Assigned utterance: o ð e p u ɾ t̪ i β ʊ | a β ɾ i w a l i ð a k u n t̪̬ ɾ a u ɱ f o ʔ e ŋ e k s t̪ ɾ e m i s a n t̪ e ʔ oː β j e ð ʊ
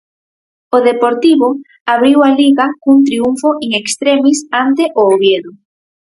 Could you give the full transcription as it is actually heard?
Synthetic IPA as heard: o ð e p o ɾ t̪ i β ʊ | a β ɾ i w a l i ɣ a k u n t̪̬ ɾ i u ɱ f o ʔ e ŋ e k s t̪ ɾ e m i s a n t̪ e ʔ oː β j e ð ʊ